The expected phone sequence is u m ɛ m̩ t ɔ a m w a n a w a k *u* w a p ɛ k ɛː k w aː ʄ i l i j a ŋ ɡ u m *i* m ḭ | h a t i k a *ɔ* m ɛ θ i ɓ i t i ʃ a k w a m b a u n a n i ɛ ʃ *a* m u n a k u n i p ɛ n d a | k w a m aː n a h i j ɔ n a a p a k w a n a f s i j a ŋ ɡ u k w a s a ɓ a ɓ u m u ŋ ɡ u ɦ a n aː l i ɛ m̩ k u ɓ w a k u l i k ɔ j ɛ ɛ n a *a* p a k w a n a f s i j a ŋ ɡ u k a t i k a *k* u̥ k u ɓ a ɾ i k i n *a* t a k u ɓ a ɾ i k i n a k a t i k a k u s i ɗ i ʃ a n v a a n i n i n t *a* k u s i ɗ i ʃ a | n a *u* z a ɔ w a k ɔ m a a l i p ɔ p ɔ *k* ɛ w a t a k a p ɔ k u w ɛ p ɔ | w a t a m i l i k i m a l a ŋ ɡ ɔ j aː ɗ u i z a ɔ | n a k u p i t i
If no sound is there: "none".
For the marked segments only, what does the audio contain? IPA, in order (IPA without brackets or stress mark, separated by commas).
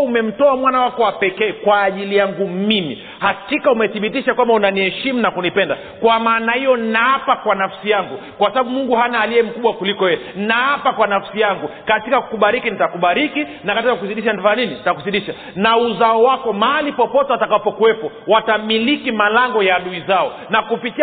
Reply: ɔ, i, u, i, a, k, i, a, u, t